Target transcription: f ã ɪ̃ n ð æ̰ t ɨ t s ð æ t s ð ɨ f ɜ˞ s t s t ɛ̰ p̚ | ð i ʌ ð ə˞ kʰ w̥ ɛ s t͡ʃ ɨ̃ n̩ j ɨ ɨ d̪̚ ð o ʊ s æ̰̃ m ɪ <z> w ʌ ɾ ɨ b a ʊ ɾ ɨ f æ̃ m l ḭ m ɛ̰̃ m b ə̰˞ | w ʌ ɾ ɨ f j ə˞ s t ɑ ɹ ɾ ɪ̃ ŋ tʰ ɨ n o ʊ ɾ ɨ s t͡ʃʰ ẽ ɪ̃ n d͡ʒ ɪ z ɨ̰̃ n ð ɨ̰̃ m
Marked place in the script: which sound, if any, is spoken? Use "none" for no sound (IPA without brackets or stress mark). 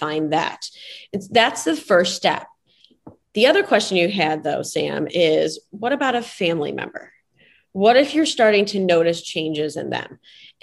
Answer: z